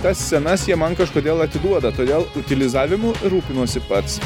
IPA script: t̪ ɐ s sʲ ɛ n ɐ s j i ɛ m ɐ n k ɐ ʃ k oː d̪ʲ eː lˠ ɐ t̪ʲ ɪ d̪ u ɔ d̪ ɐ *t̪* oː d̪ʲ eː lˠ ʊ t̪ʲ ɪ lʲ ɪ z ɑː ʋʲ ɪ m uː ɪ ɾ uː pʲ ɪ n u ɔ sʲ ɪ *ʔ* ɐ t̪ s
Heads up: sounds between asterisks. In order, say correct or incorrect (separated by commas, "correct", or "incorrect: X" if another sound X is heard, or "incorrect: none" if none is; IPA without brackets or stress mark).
correct, incorrect: p